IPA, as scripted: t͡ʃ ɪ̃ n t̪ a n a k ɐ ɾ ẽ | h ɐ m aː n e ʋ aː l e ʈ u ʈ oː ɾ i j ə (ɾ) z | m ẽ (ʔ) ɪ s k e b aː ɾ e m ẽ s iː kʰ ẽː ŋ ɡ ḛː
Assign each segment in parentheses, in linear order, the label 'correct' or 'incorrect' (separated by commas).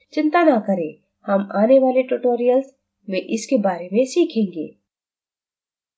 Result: incorrect, correct